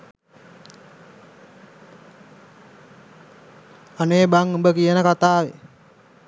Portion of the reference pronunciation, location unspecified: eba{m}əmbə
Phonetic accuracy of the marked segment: incorrect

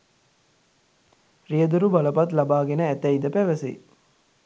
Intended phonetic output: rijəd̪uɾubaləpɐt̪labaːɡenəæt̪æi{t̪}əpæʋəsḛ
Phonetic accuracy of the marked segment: incorrect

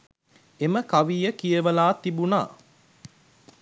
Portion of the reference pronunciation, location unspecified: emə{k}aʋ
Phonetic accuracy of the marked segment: correct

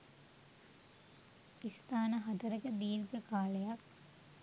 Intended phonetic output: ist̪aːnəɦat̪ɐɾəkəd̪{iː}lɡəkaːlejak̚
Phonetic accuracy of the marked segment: correct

